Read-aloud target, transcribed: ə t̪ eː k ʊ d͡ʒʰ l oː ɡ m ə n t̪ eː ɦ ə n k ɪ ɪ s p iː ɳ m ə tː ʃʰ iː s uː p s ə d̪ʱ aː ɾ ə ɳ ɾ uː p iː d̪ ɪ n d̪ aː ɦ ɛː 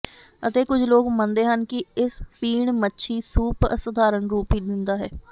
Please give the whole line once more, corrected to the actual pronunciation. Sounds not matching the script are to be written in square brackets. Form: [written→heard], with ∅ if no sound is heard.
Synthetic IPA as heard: ə t̪ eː k ʊ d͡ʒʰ l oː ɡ m ə n [t̪→d̪] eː ɦ ə n k ɪ ɪ s p iː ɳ m ə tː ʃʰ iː s uː p s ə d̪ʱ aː ɾ ə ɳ ɾ uː p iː d̪ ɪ n d̪ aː ɦ ɛː